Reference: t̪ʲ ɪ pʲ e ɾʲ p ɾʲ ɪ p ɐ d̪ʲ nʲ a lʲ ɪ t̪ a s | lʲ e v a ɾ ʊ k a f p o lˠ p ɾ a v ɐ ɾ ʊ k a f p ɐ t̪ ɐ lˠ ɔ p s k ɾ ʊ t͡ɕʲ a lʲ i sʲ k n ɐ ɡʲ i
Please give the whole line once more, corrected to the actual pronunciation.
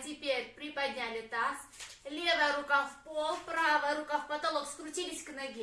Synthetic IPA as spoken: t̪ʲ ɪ pʲ e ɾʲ p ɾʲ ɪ p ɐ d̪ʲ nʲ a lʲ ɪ t̪ a s | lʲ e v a ɾ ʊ k a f p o lˠ p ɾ a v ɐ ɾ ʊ k a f p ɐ t̪ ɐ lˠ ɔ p s k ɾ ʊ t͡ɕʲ i lʲ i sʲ k n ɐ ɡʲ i

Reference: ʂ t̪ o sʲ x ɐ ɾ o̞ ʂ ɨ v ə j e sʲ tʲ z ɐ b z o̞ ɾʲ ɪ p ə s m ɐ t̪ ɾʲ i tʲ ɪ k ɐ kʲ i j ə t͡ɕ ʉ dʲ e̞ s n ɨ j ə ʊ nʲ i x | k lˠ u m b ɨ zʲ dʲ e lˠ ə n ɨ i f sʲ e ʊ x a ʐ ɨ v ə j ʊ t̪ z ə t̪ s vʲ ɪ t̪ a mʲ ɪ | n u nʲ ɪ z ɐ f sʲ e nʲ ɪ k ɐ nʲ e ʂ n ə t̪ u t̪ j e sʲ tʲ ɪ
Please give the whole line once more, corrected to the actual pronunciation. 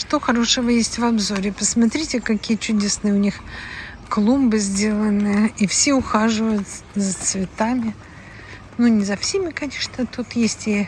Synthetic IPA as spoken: ʂ t̪ o x ɐ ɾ o̞ ʂ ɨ v ə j e sʲ tʲ v ɐ b z o̞ ɾʲ ɪ p ə s m ɐ t̪ ɾʲ i tʲ ɪ k ɐ kʲ i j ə t͡ɕ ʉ dʲ e̞ s n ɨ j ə ʊ nʲ i x | k lˠ u m b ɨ zʲ dʲ e lˠ ə n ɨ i f sʲ e ʊ x a ʐ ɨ v ə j ʊ t̪ z ə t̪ s vʲ ɪ t̪ a mʲ ɪ | n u nʲ ɪ z ɐ f sʲ e mʲ ɪ k ɐ nʲ e ʂ n ə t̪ u t̪ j e sʲ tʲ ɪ

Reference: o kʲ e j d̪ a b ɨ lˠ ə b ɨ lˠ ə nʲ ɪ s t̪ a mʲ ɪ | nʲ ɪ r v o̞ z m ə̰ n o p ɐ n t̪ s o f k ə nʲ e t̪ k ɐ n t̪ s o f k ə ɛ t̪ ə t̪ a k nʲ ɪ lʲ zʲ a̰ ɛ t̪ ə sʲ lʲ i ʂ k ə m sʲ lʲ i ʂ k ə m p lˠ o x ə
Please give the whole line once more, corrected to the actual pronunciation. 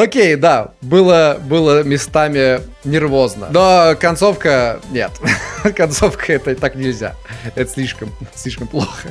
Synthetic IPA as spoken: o kʲ e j d̪ a b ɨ lˠ ə b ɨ lˠ ə mʲ ɪ s t̪ a mʲ ɪ | nʲ ɪ r v o̞ z n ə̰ n o k ɐ n t̪ s o f k ə nʲ e t̪ k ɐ n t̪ s o f k ə ɛ t̪ ə t̪ a k nʲ ɪ lʲ zʲ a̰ ɛ t̪ ə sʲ lʲ i ʂ k ə m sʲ lʲ i ʂ k ə m p lˠ o x ə

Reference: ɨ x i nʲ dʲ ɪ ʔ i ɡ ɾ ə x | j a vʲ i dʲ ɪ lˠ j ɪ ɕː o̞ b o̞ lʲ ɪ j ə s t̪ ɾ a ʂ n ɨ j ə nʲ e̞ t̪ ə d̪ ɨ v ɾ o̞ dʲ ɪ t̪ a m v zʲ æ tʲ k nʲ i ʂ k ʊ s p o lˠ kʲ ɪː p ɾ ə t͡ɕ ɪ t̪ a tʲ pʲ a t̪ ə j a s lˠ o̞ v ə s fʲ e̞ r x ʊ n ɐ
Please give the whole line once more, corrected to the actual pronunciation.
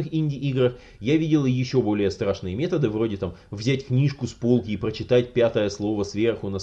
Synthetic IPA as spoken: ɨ x i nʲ dʲ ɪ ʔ i ɡ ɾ ə x | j a vʲ i dʲ ɪ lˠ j ɪ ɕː o̞ b o̞ lʲ ɪ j ə s t̪ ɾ a ʂ n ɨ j ə mʲ e̞ t̪ ə d̪ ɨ v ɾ o̞ dʲ ɪ t̪ a m v zʲ æ tʲ k nʲ i ʂ k ʊ s p o lˠ kʲ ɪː p ɾ ə t͡ɕ ɪ t̪ a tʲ pʲ a t̪ ə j ə s lˠ o̞ v ə s vʲ e̞ r x ʊ n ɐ

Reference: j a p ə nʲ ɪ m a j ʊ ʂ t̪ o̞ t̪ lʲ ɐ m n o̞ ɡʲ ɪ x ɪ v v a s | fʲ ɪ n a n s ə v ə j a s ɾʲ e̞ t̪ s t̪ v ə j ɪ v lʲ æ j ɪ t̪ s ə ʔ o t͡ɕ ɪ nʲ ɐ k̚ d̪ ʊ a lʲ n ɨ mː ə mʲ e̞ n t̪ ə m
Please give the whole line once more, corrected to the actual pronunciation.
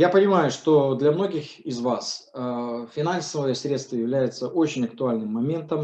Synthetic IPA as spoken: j a p ə nʲ ɪ m a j ʊ ʂ t̪ o̞ d̪ lʲ ɐ m n o̞ ɡʲ ɪ x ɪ z v a s | fʲ ɪ n a n s ə v ə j ə s ɾʲ e̞ t̪ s t̪ v ə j ɪ v lʲ æ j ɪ t̪ s ə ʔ o t͡ɕ ɪ nʲ ɐ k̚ t̪ ʊ a lʲ n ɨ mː ɐ mʲ e̞ n t̪ ə m

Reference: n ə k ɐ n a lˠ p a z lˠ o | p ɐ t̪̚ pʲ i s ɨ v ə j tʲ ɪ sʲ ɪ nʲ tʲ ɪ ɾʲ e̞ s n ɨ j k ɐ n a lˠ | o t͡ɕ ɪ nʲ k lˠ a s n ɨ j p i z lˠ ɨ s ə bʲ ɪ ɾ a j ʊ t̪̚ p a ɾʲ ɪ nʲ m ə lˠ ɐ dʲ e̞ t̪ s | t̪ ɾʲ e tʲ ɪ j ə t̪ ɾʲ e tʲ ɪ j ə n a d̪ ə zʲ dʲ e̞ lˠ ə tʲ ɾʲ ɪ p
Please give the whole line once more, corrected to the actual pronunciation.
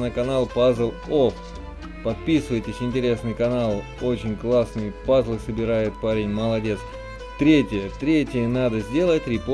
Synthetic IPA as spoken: n ə k ɐ n a lˠ p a z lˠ o | p ɐ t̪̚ pʲ i s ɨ v ə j tʲ ɪ sʲ ɪ nʲ tʲ ɪ ɾʲ e̞ s n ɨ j k ɐ n a lˠ | o t͡ɕ ɪ nʲ k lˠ a s n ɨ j p a z lˠ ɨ s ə bʲ ɪ ɾ a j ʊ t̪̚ p a ɾʲ ɪ nʲ m ə lˠ ɐ dʲ e̞ t̪ s | t̪ ɾʲ e tʲ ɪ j ə t̪ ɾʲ e tʲ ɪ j ə n a d̪ ə zʲ dʲ e̞ lˠ ə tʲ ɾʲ ɪ p

